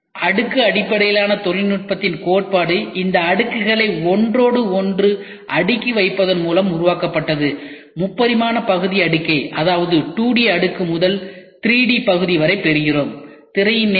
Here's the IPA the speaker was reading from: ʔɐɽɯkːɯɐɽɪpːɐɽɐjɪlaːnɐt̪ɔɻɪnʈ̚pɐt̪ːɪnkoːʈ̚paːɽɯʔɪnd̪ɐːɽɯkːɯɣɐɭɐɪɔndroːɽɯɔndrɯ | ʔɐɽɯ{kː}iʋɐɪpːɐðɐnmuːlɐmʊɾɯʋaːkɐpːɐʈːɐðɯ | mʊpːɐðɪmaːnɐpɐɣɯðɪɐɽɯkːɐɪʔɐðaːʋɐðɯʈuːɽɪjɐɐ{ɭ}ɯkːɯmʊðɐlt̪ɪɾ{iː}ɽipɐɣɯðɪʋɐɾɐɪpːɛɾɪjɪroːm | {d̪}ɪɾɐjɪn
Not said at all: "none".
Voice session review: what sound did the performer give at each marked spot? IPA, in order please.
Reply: kː, ɽ, iː, t̪

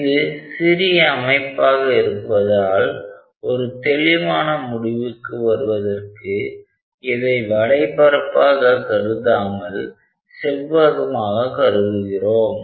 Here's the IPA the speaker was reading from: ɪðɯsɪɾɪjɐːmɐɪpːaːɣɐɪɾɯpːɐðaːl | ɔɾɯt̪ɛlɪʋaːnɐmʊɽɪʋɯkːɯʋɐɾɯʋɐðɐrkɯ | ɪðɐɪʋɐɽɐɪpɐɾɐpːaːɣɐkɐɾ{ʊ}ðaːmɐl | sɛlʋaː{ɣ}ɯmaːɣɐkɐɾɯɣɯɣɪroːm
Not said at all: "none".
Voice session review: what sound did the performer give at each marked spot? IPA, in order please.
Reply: ɯ, ɣ

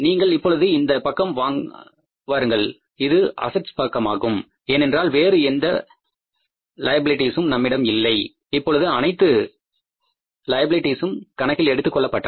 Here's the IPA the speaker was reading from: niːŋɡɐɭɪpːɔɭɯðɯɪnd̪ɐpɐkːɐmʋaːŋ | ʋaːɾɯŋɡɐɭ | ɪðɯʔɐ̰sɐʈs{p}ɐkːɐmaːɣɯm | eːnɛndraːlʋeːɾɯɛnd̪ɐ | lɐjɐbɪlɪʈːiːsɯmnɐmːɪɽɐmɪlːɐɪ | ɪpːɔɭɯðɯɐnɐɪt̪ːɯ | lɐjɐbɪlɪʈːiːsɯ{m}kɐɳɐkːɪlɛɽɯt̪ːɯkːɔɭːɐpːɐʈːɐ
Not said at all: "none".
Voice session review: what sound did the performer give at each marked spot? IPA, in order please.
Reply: p, m

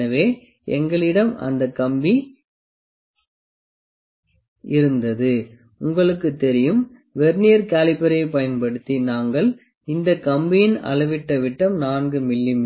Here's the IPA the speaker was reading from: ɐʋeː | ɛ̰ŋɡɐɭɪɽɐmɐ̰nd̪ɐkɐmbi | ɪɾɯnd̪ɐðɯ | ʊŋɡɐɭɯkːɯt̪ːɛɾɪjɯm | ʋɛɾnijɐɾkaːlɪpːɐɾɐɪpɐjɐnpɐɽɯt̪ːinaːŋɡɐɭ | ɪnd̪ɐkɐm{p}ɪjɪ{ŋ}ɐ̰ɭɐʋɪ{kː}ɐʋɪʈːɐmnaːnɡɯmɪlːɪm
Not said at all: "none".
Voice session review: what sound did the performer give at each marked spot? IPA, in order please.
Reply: b, n, ʈː

